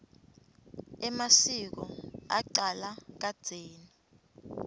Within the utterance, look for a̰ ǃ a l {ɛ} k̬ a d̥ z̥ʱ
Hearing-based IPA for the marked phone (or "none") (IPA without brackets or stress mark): a